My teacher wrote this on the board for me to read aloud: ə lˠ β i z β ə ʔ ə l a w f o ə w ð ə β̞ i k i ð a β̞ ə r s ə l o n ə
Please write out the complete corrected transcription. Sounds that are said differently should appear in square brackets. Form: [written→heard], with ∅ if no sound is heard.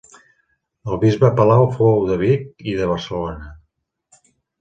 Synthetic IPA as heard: ə lˠ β i z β ə [ʔ→p] ə l a w f o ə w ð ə β̞ i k i ð [a→ə] β̞ ə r s ə l o n ə